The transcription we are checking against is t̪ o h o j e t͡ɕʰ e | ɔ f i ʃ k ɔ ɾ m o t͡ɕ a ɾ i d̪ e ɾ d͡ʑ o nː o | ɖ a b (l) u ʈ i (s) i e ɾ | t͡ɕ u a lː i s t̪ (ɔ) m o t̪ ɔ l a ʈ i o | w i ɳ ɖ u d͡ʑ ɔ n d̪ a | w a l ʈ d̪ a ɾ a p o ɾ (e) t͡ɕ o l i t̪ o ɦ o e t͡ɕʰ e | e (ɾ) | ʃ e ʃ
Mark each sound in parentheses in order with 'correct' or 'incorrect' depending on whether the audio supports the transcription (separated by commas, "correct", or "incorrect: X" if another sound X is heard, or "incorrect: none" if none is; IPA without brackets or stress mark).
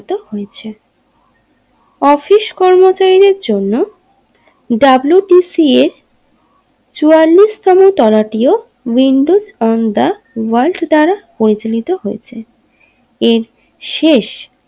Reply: correct, correct, correct, incorrect: i, correct